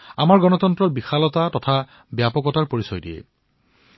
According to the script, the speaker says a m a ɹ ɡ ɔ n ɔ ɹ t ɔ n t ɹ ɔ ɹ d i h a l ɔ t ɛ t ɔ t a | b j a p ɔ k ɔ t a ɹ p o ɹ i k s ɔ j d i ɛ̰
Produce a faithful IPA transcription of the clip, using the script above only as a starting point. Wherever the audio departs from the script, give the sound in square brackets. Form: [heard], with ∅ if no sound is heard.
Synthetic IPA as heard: a m a ɹ ɡ ɔ n ɔ [∅] t ɔ n t ɹ ɔ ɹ [b] i [x] a l ɔ t [a] t ɔ [tʰ] a | b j a p ɔ k ɔ t a ɹ p o ɹ i [∅] s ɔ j d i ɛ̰